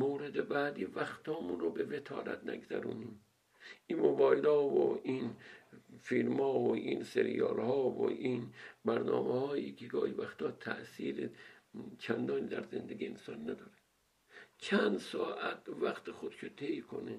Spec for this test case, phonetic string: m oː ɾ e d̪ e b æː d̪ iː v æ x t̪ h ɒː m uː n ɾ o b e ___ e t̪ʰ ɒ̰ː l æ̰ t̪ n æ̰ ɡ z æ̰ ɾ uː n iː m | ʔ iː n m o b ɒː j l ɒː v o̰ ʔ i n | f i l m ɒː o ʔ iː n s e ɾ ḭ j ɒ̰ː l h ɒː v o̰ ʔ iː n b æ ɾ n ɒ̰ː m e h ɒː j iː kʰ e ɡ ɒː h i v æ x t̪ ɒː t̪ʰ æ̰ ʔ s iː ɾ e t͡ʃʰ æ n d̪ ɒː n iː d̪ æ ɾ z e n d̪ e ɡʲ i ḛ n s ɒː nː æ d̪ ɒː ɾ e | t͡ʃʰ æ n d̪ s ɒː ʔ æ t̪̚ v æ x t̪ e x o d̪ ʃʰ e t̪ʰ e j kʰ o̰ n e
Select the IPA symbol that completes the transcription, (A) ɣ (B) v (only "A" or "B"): B